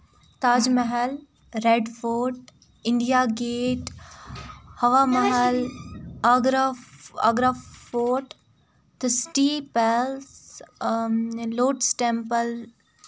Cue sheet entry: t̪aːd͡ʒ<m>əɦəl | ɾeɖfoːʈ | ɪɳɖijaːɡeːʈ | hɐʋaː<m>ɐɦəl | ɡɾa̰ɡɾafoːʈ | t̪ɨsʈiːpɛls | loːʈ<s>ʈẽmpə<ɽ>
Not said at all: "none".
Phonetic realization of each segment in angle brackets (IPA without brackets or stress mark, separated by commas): m, m, s, l